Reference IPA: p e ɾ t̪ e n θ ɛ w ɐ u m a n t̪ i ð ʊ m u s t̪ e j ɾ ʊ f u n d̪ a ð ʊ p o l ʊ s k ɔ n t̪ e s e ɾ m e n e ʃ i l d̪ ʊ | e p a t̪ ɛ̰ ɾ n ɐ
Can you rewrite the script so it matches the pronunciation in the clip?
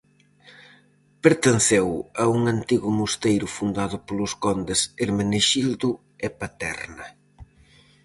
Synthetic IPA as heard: p e ɾ t̪ e n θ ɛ w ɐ u ŋ a n t̪ i ɣ ʊ m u s t̪ e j ɾ ʊ f u n d̪ a ð ʊ p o l ʊ s k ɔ n d̪ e s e ɾ m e n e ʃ i l d̪ ʊ | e p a t̪ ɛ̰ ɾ n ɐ